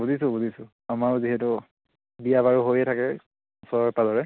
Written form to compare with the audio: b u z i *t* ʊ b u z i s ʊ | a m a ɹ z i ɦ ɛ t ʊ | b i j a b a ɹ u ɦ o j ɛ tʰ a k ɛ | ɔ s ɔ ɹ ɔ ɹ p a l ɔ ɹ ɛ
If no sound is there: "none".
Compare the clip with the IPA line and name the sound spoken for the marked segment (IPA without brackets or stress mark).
s